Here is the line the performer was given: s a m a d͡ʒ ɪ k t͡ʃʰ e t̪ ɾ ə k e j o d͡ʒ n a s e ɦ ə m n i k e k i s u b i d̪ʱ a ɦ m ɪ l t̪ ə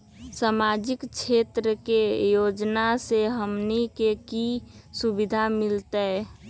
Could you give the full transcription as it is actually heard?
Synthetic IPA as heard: s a m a d͡ʒ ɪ k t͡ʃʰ e t̪ ɾ ə k e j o d͡ʒ n a s e ɦ ə m n i k e k i s u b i d̪ʱ a m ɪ l t̪ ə